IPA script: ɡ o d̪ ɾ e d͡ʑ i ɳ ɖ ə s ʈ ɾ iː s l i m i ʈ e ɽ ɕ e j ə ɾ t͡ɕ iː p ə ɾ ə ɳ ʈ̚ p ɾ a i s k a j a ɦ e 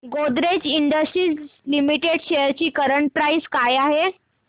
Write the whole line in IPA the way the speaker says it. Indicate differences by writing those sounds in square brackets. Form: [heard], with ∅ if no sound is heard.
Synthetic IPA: ɡ o d̪ ɾ e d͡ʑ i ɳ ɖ ə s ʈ ɾ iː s l i m i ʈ e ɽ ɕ e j ə ɾ t͡ɕ iː [k] ə ɾ ə ɳ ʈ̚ p ɾ a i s k a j a ɦ e